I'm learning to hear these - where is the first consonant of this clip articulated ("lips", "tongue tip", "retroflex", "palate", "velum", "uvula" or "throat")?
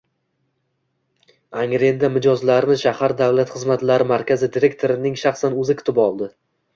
velum